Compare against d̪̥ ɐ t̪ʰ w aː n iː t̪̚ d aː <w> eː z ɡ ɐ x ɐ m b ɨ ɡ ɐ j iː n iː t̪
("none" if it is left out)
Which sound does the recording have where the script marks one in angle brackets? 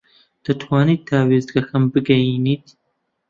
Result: w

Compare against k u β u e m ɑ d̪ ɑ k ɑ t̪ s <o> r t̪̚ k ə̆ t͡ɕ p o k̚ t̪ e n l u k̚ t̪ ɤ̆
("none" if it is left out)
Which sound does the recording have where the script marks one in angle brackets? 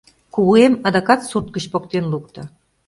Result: u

